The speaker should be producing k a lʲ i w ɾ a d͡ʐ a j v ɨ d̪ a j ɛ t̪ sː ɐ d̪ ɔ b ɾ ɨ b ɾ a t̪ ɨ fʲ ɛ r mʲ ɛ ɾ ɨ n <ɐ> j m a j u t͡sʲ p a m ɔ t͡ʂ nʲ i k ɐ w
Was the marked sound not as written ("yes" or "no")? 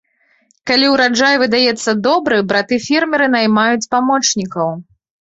yes